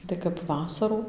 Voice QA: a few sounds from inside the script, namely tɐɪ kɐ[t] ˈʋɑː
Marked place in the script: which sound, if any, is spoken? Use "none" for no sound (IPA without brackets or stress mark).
p